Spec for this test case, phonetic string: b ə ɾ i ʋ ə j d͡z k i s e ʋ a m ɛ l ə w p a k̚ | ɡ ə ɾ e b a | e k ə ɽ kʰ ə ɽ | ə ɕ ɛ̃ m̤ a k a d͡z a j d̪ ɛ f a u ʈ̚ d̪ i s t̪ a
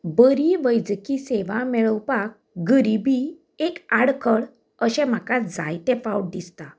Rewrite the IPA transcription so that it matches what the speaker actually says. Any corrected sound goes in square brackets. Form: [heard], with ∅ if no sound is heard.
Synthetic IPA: b ə ɾ i ʋ ə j d͡z k i s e ʋ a m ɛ [ɭ] ə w p a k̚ | ɡ ə ɾ [i] b [i] | e k [a] ɽ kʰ ə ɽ | ə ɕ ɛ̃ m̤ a k a d͡z a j [t̪] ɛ f a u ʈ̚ d̪ i s t̪ a